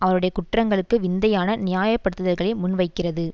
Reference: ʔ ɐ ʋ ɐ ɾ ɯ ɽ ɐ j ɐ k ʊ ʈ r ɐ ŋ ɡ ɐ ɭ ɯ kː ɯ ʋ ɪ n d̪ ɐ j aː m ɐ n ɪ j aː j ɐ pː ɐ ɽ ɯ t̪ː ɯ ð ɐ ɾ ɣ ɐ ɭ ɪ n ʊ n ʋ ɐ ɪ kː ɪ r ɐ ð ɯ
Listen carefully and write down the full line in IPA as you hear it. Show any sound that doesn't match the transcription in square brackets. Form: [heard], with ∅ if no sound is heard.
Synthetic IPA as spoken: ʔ ɐ ʋ ɐ ɾ ɯ ɽ ɐ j ɐ k ʊ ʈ r ɐ ŋ ɡ ɐ ɭ ɯ kː ɯ ʋ ɪ n d̪ ɐ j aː [n] ɐ n ɪ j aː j ɐ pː ɐ ɽ ɯ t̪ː ɯ ð ɐ ɾ ɣ ɐ ɭ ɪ [m] ʊ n ʋ ɐ ɪ kː ɪ r ɐ ð ɯ